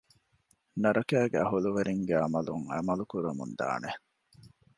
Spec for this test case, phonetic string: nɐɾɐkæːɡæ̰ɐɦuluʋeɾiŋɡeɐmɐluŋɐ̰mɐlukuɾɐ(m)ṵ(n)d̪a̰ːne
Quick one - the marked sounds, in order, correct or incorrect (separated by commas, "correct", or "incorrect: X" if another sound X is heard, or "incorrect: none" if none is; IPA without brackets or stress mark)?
correct, correct